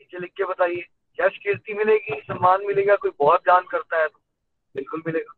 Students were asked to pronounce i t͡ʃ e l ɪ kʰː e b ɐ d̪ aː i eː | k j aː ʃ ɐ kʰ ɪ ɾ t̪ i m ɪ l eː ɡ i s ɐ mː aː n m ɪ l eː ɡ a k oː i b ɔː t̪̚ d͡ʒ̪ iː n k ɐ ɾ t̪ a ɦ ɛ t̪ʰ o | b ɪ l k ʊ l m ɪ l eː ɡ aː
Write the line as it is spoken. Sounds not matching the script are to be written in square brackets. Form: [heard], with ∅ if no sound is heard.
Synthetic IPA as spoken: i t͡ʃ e l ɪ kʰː e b ɐ [t̪] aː i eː | k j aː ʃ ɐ [k] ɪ ɾ t̪ i m ɪ l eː ɡ i s ɐ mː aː n m ɪ l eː ɡ a k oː i b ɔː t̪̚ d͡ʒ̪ [aː] n k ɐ ɾ t̪ a ɦ ɛ [t̪] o | b ɪ l k ʊ l m ɪ l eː ɡ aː